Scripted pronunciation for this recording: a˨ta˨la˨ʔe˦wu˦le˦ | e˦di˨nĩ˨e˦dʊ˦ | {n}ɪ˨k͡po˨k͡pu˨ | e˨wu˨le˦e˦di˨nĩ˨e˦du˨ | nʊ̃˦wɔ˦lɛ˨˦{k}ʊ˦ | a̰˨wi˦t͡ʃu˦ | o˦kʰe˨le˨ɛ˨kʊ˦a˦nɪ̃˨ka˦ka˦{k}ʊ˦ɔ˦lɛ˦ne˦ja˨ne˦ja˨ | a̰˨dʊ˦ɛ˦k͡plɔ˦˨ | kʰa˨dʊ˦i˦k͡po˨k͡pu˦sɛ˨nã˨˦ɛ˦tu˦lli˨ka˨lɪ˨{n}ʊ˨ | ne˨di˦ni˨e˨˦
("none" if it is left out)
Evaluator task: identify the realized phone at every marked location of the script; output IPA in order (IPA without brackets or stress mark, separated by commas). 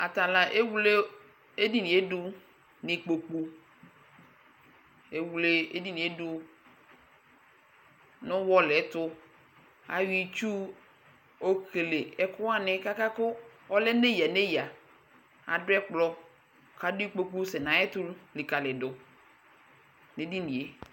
n, t, k, d